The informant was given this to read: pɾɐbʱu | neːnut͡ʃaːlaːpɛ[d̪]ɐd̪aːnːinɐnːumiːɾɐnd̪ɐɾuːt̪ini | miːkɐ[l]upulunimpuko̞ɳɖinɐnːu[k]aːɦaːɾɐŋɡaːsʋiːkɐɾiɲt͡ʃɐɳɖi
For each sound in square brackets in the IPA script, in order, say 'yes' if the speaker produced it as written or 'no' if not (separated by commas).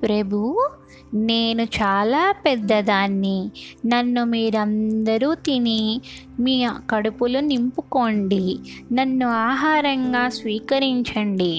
no, no, no